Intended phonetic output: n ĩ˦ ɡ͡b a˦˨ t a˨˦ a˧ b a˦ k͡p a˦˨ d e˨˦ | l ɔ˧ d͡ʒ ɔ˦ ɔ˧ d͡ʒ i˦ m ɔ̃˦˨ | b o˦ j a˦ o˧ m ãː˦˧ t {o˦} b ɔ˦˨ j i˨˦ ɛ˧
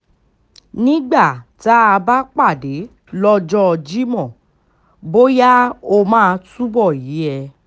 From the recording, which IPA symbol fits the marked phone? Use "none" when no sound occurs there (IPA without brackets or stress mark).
u˦